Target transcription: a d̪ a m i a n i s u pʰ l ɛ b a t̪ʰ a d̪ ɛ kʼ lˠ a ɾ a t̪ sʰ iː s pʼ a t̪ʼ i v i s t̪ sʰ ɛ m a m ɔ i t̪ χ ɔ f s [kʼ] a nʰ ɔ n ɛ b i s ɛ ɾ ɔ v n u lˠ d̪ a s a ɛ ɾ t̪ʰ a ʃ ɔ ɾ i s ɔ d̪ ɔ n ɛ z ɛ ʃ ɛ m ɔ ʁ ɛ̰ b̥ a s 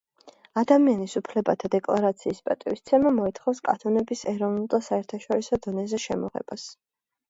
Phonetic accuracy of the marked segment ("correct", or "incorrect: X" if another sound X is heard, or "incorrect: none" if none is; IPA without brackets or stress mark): correct